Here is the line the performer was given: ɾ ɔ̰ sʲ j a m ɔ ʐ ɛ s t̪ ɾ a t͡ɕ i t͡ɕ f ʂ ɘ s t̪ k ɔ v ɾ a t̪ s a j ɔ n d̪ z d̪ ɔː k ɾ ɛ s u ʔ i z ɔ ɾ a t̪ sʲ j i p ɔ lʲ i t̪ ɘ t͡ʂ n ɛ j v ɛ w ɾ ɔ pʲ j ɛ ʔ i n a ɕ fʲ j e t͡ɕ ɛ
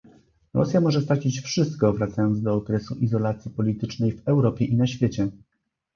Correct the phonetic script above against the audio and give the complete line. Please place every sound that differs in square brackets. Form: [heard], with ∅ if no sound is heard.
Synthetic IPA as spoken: ɾ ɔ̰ sʲ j a m ɔ ʐ ɛ s t̪ ɾ a t͡ɕ i t͡ɕ f ʂ ɘ s t̪ k ɔ v ɾ a t̪ s a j ɔ n d̪ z d̪ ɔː k ɾ ɛ s u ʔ i z ɔ [l] a t̪ sʲ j i p ɔ lʲ i t̪ ɘ t͡ʂ n ɛ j v ɛ w ɾ ɔ pʲ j ɛ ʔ i n a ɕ fʲ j e t͡ɕ ɛ